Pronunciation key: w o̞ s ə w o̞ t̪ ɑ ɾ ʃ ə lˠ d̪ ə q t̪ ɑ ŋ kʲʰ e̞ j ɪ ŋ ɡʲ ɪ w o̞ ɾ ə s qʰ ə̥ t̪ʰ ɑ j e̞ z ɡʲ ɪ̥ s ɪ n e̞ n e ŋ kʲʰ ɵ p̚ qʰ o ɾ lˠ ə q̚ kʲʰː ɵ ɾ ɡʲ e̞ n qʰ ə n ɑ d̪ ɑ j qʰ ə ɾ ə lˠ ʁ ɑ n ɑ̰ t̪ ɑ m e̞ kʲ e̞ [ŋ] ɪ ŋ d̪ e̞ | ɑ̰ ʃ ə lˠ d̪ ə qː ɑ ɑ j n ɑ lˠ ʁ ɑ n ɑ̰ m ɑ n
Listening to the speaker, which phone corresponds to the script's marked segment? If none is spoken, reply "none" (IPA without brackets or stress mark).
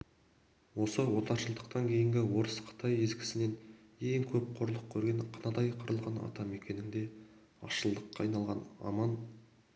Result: n